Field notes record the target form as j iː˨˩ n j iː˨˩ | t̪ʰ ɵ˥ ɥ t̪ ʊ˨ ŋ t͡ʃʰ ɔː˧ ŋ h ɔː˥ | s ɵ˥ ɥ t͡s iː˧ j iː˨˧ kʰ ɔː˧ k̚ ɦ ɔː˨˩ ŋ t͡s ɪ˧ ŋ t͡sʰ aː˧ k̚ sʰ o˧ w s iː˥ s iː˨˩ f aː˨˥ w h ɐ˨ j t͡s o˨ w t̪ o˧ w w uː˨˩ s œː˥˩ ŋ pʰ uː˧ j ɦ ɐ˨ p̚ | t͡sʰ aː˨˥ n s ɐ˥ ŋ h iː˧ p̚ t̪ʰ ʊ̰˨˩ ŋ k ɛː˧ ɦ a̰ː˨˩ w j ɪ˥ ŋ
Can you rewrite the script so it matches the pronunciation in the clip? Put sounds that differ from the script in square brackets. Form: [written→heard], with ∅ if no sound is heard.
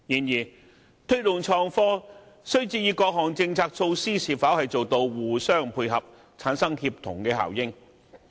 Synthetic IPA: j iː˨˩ n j iː˨˩ | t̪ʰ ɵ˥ ɥ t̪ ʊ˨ ŋ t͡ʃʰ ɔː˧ ŋ [h→f] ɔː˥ | s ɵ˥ ɥ t͡s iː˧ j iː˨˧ [kʰ→k] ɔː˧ k̚ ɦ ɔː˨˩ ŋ t͡s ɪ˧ ŋ t͡sʰ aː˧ k̚ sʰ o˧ w s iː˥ s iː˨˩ f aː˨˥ w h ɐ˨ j t͡s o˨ w t̪ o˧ w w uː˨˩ s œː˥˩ ŋ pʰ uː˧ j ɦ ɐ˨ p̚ | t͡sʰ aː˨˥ n s ɐ˥ ŋ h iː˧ p̚ t̪ʰ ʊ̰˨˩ ŋ k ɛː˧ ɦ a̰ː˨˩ w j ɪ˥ ŋ